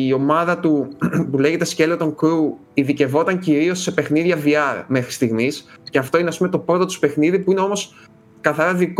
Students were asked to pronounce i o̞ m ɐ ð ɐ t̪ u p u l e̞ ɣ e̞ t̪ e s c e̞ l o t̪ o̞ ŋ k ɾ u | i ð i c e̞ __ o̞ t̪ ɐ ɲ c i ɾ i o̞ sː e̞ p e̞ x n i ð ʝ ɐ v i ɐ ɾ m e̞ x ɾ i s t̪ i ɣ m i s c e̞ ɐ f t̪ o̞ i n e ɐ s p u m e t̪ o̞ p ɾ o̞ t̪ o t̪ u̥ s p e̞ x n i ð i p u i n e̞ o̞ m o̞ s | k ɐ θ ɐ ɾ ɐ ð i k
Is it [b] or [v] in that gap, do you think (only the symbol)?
v